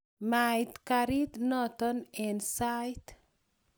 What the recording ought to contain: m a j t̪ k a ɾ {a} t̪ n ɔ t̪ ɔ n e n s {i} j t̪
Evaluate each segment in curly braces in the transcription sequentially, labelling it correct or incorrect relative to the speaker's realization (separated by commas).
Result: incorrect, incorrect